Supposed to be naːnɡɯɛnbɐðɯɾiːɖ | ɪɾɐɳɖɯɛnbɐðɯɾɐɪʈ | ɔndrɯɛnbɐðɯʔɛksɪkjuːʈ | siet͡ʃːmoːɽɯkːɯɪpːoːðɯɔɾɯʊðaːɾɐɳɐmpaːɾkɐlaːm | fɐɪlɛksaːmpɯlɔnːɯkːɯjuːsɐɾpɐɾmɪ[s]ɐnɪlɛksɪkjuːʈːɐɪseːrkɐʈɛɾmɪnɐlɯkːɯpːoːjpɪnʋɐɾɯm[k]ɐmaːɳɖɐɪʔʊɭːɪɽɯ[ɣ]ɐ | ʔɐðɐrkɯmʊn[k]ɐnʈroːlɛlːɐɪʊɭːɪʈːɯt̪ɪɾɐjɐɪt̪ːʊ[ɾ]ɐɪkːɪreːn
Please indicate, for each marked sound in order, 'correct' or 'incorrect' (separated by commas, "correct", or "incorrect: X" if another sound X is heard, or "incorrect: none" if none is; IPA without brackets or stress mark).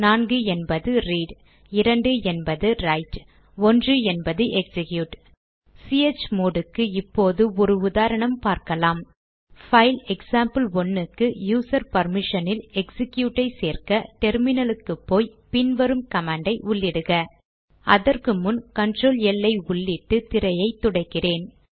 incorrect: ʂ, correct, correct, correct, incorrect: ɽ